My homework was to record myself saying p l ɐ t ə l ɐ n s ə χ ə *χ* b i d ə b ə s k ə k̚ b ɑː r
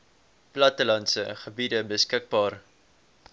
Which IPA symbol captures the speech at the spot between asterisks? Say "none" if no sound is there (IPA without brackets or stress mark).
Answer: none